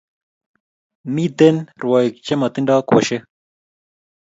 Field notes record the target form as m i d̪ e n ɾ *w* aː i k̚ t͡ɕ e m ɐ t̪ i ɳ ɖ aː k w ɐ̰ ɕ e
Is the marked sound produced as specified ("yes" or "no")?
yes